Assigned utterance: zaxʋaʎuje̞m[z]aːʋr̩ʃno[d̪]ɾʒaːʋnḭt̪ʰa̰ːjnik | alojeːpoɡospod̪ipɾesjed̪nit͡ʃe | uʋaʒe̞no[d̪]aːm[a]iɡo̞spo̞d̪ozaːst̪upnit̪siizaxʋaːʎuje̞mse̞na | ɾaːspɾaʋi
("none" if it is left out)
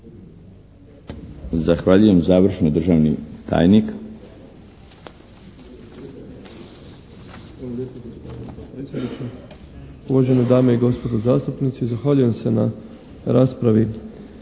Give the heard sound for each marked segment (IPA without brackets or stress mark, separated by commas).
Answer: z, d̪, d̪, e